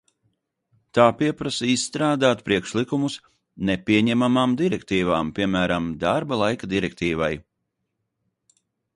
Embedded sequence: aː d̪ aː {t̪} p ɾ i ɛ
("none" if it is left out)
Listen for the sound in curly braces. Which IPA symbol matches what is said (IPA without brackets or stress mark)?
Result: t̪